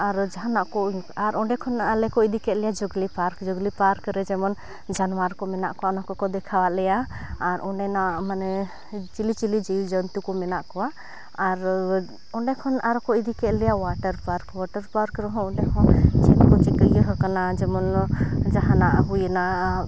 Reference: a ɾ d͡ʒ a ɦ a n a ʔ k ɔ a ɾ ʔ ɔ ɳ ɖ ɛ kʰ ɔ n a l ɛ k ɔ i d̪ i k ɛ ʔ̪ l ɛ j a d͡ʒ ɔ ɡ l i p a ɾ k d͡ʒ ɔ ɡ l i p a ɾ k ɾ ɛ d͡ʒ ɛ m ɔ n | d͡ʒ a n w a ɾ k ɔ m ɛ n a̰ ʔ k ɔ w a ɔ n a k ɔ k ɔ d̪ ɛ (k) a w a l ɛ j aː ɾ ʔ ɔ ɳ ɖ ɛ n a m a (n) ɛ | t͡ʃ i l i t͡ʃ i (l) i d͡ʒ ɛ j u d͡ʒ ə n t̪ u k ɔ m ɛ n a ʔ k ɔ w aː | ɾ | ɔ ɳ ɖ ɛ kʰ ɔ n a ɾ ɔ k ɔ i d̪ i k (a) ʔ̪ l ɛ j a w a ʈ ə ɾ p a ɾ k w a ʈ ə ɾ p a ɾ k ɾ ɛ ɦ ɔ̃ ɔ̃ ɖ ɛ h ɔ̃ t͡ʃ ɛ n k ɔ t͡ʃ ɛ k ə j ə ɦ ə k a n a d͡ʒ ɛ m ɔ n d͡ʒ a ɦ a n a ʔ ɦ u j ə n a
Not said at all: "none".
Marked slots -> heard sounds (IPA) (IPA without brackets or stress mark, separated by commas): kʰ, n, l, ɛ